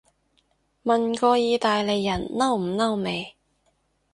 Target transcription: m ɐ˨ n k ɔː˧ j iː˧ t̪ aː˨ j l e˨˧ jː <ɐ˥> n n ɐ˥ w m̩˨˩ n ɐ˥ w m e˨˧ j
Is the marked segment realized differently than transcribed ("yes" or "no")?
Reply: yes